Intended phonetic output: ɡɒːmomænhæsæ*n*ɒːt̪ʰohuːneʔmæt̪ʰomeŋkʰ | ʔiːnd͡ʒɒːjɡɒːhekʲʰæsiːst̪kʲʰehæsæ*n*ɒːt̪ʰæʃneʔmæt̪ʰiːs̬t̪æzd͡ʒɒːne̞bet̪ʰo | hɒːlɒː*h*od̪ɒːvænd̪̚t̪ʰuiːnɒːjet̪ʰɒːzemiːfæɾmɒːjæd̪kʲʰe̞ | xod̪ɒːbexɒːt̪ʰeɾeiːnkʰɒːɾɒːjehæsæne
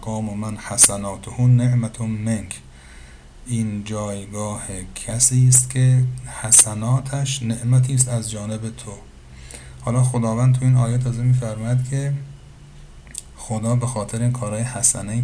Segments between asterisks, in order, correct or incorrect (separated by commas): correct, correct, incorrect